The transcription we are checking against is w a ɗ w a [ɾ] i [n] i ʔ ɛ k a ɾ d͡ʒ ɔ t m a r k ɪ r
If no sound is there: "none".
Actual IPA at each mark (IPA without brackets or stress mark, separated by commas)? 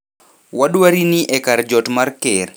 ɾ, n